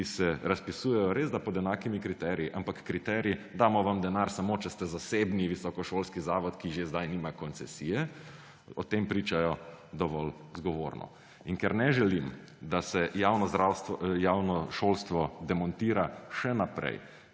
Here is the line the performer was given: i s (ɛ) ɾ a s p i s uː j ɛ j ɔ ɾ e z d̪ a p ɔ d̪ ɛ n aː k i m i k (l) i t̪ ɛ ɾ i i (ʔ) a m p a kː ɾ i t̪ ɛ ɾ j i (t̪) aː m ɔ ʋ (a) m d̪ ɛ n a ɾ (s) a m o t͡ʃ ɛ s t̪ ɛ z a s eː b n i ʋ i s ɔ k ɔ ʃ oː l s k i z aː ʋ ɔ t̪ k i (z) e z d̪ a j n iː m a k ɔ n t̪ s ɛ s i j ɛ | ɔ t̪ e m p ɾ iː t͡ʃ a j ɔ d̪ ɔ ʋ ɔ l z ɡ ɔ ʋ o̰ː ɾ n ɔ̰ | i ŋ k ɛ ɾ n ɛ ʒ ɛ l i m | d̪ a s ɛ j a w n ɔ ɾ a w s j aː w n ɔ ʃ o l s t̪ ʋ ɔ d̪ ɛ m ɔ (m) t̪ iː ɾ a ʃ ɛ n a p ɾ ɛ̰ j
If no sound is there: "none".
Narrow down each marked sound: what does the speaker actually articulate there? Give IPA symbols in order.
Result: ɛ, ɾ, ʔ, d̪, a, s, ʒ, n

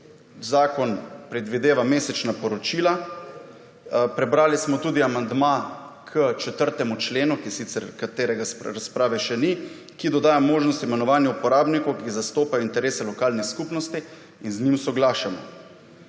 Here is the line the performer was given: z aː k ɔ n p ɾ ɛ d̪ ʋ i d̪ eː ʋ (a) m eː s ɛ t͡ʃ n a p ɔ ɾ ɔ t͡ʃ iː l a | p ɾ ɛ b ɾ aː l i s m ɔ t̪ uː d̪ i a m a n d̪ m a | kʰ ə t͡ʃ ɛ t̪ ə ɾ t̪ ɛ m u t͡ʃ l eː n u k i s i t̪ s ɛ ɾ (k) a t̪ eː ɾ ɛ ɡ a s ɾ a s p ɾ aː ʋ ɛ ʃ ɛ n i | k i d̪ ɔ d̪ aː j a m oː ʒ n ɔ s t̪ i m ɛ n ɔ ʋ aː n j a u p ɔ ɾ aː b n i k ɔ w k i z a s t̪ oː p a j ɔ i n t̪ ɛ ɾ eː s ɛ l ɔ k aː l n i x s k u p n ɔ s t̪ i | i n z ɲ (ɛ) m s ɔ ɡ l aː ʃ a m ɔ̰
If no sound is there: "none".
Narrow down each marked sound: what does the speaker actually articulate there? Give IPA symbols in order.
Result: a, k, i

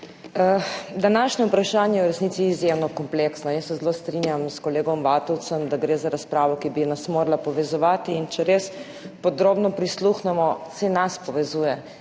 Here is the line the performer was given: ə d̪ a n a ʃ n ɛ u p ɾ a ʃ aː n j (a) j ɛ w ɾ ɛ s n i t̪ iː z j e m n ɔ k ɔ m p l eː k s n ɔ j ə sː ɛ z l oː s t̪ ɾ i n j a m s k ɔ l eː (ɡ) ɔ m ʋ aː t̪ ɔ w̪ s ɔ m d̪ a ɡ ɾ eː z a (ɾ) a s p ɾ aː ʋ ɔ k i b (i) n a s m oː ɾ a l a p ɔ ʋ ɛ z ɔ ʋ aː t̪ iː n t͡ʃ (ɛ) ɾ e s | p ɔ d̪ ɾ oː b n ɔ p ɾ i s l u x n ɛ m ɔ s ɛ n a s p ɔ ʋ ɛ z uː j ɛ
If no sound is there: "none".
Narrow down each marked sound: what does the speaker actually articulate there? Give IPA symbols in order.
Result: ɛ, ɡ, ɾ, i, ɛ

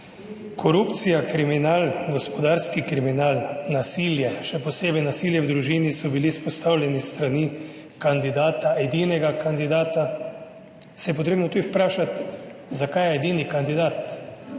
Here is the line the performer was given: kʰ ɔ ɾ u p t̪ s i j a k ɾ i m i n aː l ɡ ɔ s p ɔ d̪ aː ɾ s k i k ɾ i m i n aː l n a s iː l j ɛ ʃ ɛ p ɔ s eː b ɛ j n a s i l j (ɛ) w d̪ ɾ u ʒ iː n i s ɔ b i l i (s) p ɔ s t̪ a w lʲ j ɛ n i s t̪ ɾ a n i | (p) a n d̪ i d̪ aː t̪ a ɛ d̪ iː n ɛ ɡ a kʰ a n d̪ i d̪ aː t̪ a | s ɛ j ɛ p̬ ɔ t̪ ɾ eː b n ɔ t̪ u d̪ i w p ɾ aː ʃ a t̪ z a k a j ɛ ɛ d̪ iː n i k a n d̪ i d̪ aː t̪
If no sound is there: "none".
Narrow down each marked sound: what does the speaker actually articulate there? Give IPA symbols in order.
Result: ɛ, s, k

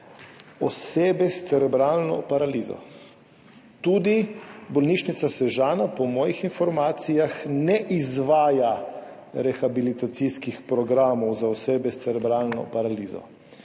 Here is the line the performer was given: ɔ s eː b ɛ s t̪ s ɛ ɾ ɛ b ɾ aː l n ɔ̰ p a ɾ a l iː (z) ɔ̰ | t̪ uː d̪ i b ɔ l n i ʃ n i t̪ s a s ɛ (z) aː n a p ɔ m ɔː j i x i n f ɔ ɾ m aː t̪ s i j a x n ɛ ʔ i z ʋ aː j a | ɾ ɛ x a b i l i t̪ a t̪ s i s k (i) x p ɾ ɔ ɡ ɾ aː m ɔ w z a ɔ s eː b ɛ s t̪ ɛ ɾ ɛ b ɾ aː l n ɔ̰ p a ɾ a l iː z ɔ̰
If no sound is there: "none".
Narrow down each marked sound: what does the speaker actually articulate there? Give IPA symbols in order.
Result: z, ʒ, i

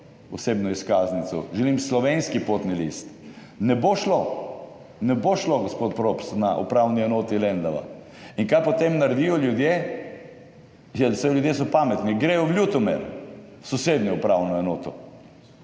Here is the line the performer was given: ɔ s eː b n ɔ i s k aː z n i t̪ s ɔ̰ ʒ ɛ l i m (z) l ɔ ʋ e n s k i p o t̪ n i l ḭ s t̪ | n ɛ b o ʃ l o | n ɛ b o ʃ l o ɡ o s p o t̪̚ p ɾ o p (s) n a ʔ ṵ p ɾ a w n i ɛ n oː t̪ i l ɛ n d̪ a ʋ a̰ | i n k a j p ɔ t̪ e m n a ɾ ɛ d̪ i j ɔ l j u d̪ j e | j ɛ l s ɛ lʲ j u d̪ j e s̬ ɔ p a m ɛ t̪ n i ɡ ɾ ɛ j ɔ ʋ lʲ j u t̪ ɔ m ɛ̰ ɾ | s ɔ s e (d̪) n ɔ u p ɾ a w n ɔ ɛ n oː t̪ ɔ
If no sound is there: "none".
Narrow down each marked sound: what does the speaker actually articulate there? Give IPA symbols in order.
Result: s, s, d̪

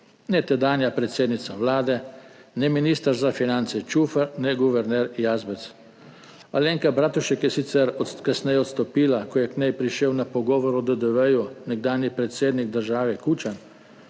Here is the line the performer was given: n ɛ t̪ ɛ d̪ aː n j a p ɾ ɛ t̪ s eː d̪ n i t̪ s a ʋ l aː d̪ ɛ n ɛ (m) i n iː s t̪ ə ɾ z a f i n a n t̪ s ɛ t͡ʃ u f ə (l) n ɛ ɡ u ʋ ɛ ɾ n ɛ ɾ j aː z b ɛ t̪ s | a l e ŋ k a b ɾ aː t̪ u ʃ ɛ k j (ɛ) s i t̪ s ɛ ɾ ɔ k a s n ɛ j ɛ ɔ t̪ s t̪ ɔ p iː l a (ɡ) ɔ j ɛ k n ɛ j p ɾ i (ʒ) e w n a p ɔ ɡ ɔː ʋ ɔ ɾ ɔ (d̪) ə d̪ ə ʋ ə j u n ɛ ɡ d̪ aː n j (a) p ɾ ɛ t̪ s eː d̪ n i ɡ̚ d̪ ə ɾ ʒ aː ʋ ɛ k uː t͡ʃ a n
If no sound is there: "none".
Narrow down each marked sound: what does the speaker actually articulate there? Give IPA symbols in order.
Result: m, ɾ, ɛ, k, ʃ, d̪, i

